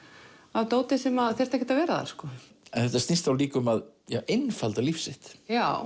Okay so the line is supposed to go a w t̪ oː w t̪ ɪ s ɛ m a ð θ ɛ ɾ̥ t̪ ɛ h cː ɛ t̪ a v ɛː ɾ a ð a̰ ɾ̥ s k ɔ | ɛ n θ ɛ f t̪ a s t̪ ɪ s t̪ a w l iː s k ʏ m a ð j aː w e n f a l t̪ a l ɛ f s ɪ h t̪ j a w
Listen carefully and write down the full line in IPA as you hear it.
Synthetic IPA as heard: a w t̪ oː w t̪ ɪ s ɛ m a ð θ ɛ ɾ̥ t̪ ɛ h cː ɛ t̪ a v ɛː ɾ a ð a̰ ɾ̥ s k ɔ | ɛ n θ ɛ f t̪ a s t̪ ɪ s t̪ a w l iː k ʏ m a ð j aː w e n f a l t̪ a l i f s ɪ h t̪ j a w